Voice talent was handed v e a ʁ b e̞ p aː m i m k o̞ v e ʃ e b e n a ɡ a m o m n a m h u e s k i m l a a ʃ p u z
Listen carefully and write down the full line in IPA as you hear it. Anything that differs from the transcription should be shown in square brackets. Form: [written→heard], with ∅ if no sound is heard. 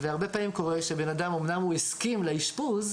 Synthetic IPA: v e a ʁ b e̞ p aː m i m k o̞ [v→ʁ] e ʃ e b e n a [ɡ→d] a m o m n a m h u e s k i m l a [a→i] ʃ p u z